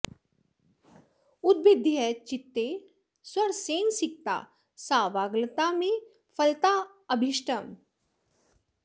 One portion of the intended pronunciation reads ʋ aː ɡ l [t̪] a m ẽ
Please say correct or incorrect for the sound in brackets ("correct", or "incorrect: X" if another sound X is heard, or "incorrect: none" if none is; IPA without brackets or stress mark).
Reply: correct